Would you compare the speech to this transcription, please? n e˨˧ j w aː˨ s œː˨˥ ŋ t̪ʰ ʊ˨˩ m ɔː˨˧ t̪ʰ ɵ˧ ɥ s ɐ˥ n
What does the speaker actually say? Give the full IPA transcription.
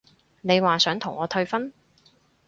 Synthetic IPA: n e˨˧ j w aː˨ s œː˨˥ ŋ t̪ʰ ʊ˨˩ ŋ ɔː˨˧ t̪ʰ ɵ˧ ɥ f ɐ˥ n